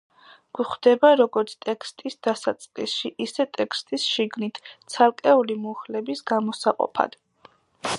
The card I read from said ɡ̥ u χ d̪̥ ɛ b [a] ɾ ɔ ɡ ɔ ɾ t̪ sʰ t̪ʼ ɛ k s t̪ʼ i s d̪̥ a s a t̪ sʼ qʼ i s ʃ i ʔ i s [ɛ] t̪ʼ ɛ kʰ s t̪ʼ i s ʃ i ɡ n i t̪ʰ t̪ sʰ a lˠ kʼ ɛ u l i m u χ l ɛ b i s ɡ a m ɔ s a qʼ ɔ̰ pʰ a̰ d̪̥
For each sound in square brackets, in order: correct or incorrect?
correct, correct

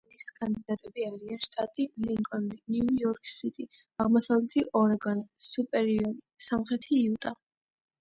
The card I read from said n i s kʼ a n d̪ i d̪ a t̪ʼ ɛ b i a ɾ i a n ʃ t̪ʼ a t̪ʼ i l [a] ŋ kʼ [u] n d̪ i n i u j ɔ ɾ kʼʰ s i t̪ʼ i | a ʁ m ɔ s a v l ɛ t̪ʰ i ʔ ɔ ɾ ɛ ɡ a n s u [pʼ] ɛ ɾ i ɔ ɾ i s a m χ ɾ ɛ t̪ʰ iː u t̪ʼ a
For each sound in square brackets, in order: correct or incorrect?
incorrect: i, incorrect: ɔ, correct

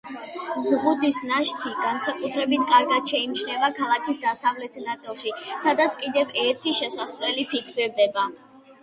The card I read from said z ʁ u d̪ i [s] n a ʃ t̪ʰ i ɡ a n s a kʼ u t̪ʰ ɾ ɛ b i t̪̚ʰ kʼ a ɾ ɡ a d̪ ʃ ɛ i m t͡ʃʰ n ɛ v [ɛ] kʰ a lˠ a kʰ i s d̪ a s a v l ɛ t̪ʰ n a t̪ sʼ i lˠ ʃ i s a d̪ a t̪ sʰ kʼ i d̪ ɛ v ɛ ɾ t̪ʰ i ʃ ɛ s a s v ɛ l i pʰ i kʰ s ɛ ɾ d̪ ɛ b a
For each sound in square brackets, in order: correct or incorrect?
correct, incorrect: a

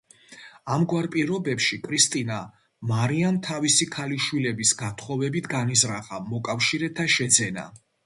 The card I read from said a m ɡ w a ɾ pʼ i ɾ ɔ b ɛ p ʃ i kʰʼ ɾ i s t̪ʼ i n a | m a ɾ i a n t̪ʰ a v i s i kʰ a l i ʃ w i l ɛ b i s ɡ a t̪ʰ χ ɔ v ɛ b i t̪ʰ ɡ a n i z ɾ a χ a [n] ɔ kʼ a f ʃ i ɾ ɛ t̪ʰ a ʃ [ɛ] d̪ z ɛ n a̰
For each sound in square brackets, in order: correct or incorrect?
incorrect: m, correct

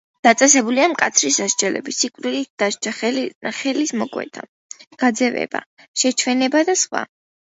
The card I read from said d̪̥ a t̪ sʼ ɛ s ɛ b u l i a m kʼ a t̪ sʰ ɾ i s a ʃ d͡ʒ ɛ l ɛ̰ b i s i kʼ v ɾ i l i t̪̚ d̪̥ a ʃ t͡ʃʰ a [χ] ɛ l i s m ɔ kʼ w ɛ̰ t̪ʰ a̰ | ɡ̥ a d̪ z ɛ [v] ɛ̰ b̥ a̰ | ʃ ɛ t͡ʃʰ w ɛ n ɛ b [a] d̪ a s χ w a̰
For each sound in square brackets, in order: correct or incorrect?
correct, correct, correct

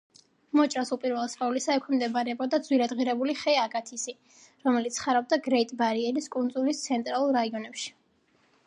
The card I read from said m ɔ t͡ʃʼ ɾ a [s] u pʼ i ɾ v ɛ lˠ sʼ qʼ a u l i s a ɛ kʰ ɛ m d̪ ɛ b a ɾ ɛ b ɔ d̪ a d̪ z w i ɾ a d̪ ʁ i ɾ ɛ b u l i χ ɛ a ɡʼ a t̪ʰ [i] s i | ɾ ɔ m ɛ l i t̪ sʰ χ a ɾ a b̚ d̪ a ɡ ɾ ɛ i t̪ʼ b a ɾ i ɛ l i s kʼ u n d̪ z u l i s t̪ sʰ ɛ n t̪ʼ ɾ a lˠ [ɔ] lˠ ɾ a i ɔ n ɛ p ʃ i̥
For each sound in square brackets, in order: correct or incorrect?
correct, correct, incorrect: u

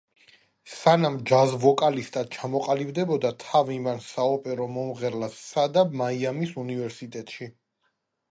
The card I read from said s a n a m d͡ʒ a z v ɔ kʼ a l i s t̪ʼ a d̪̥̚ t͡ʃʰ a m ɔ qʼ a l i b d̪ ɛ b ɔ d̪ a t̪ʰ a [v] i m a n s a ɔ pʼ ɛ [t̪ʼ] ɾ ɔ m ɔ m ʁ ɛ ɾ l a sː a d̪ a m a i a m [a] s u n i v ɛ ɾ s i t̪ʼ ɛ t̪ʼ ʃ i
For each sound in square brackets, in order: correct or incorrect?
correct, incorrect: none, incorrect: i

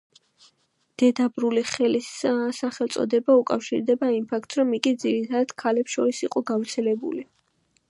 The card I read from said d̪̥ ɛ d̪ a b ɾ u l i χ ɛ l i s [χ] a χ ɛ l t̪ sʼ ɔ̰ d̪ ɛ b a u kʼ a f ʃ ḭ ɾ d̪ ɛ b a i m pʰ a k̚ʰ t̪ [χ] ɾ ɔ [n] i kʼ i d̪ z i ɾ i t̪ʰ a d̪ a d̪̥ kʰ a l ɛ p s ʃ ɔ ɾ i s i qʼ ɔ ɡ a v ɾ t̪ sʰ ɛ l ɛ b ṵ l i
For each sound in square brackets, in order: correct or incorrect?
incorrect: s, incorrect: s, incorrect: m

